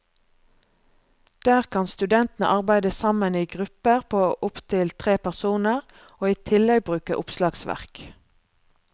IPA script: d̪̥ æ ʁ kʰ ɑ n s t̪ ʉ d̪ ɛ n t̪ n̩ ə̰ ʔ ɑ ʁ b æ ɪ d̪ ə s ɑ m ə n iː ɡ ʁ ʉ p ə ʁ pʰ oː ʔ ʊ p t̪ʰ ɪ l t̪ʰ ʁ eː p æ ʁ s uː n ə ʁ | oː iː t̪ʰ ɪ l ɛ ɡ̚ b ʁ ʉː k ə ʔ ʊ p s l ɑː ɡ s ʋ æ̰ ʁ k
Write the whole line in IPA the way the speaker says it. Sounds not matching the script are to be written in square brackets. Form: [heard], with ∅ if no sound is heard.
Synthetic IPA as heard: d̪̥ [æː] ʁ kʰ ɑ n s t̪ ʉ d̪ ɛ n t̪ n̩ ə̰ ʔ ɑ ʁ b æ ɪ d̪ ə s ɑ m ə n iː ɡ ʁ ʉ p ə ʁ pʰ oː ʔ ʊ p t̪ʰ ɪ l t̪ʰ ʁ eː p æ ʁ s uː n ə ʁ | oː iː t̪ʰ ɪ l ɛ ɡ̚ b ʁ ʉː k ə ʔ ʊ p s l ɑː ɡ s ʋ æ̰ ʁ k